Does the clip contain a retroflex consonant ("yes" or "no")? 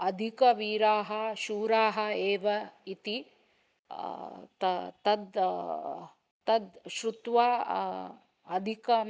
no